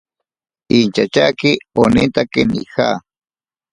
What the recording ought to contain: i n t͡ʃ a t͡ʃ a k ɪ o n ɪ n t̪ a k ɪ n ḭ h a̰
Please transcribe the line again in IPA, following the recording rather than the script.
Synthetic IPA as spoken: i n t͡ʃ a t͡ʃ a k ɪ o n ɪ n t̪ a k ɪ n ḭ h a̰

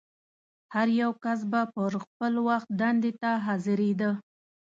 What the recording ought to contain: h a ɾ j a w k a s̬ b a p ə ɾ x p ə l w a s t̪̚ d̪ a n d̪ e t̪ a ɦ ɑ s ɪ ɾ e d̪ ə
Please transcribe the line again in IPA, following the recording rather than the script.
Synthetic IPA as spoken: h a ɾ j a w k a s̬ b a p ə ɾ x p ə l w a x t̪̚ d̪ a n d̪ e t̪ a ɦ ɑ z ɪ ɾ e d̪ ə

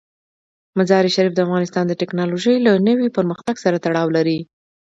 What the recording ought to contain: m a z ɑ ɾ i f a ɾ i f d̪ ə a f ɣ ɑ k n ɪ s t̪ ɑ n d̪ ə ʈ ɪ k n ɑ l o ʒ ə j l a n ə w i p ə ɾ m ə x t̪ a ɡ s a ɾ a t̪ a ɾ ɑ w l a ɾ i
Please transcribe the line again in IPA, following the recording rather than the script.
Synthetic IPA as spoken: m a z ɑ ɾ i ʃ a ɾ i f d̪ ə a f ɣ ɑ n ɪ s t̪ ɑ n d̪ ə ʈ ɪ k n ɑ l o ʒ ə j l a n ə w i p ə ɾ m ə x t̪ a ɡ s a ɾ a t̪ a ɽ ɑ w l a ɾ i

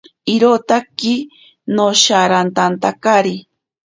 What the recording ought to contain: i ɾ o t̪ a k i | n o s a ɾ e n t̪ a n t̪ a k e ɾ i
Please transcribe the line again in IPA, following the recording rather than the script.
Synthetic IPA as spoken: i ɾ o t̪ a k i | n o ʃ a ɾ a n t̪ a n t̪ a k a ɾ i

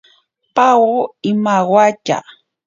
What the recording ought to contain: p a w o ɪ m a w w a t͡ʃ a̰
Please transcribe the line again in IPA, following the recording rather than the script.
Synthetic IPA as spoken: p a w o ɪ m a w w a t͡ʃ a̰

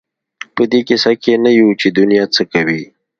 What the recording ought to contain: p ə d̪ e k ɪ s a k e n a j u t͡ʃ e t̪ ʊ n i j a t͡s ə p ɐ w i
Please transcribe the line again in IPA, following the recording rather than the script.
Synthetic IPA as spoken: p ə d̪ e k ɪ s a k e n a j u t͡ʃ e d̪ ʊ n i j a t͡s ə k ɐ w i

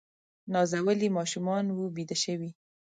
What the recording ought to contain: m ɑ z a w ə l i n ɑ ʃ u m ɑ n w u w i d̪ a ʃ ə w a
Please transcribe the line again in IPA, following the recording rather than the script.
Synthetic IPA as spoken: n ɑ z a w ə l i m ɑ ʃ u m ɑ n w u b i d̪ a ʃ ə w i

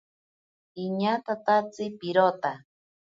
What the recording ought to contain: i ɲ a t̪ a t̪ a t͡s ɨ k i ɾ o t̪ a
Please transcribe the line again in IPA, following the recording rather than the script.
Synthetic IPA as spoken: i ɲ a t̪ a t̪ a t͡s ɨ p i ɾ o t̪ a

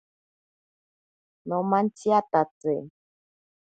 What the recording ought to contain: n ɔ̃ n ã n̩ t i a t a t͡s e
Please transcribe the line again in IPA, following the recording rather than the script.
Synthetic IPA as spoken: n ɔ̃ m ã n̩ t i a t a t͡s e

